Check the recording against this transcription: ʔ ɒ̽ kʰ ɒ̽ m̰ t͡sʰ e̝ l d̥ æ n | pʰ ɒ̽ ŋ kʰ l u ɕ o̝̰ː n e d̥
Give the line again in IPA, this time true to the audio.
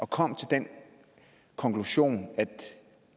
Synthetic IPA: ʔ ɒ̽ kʰ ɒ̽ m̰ t͡sʰ e̝ l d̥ e n | kʰ ɒ̽ ŋ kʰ l u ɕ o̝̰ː n æ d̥

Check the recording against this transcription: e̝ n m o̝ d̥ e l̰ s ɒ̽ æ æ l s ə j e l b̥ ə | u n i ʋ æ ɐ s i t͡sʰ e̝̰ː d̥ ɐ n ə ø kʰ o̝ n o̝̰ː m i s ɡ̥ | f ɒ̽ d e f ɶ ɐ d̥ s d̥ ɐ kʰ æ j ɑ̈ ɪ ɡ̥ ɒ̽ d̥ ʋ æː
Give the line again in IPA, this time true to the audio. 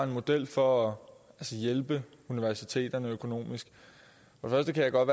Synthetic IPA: e̝ n m o̝ d̥ e l̰ f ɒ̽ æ æ l s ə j e l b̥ ə | u n i ʋ æ ɐ s i t͡sʰ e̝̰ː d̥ ɐ n ə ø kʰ o̝ n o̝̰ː m i s ɡ̥ | f ɒ̽ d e f ɶ ɐ s d̥ ə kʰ æ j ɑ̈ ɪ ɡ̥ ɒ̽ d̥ ʋ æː

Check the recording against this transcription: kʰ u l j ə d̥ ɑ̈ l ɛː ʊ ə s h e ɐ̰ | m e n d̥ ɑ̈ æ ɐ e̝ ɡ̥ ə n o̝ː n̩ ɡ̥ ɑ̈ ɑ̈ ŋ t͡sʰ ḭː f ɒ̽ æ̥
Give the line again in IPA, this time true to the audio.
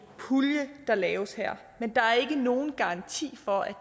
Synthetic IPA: pʰ u l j ə d̥ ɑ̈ l ɛː ʊ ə s h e ɐ̰ | m e n d̥ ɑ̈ æ ɐ e̝ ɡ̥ ə n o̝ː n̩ ɡ̥ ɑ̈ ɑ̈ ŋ t͡sʰ ḭː f ɒ̽ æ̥

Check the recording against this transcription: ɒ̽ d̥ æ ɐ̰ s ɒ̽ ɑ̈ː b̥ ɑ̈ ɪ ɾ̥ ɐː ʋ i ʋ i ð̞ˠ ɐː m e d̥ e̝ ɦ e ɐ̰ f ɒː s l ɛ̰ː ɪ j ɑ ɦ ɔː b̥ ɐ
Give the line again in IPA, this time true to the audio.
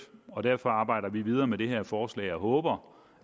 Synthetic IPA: ɒ̽ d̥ æ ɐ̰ f ɒ̽ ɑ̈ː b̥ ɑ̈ ɪ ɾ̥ ɐ ʋ i ʋ i ð̞ˠ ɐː m e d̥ e̝ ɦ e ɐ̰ f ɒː s l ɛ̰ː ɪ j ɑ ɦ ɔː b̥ ɐ

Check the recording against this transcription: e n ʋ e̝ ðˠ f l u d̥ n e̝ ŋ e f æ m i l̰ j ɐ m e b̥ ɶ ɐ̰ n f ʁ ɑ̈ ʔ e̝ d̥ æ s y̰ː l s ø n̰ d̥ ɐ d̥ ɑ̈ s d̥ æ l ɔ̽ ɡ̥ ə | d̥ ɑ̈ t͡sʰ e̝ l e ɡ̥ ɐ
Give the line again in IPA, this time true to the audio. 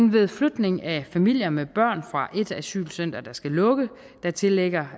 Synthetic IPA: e n ʋ e̝ ðˠ f l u d̥ n e̝ ŋ æ f æ m i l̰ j ɐ m e b̥ ɶ ɐ̰ n f ʁ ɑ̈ ʔ e̝ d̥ æ s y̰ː l s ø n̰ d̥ ɐ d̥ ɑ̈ s ɡ̥ æ l ɔ̽ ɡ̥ ə | d̥ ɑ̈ t͡sʰ e̝ l e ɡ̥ ɐ

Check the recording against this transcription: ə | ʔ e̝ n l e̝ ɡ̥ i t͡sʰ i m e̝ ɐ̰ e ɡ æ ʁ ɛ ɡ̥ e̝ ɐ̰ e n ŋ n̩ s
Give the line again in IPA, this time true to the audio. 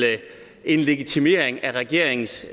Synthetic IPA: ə | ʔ e̝ n l e̝ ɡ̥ i t͡sʰ i m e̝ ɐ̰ e ŋ æ ʁ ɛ ɡ̥ e̝ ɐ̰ e ŋ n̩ s

